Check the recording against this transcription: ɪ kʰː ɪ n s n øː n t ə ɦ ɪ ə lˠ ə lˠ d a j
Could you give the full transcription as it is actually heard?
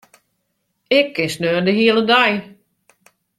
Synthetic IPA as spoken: ɪ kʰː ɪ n s n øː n d ə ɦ i ə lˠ ə d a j